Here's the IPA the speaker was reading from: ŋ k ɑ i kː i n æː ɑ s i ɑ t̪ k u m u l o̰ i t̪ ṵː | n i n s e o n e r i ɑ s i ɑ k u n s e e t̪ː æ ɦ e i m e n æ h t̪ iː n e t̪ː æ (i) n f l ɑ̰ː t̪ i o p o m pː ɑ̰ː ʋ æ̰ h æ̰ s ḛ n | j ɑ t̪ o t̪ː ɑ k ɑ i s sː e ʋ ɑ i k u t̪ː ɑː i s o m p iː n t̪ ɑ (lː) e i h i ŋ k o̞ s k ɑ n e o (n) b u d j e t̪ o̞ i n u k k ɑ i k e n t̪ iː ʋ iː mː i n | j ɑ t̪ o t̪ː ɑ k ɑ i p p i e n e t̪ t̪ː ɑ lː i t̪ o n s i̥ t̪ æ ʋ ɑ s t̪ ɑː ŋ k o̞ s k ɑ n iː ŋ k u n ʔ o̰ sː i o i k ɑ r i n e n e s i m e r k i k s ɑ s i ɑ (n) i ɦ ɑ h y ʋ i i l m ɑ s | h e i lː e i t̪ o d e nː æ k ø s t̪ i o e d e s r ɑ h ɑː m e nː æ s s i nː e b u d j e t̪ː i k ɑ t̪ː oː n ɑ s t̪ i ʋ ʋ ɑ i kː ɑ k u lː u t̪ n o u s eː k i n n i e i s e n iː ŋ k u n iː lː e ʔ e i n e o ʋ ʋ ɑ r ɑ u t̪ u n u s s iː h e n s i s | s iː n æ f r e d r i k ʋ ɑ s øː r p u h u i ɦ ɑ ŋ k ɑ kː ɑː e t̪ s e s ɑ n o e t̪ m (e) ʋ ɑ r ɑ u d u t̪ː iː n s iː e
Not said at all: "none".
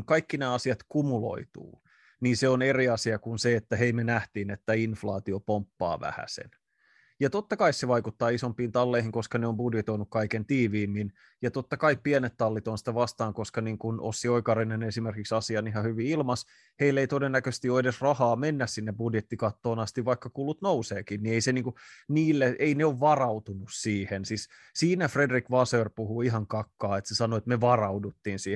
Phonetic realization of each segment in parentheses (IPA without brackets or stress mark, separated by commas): i, lː, m, n, e